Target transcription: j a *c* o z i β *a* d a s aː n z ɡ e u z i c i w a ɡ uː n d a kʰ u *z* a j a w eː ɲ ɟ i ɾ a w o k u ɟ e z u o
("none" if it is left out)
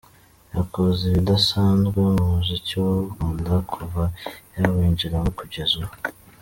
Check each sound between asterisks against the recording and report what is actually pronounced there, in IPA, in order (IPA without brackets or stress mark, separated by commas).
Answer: k, i, v